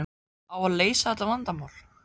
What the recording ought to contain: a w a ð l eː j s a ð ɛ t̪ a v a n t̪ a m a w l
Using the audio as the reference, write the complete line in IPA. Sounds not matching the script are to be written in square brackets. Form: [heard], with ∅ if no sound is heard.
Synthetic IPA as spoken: a w a ð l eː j s a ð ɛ t̪ a v a n t̪ a m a w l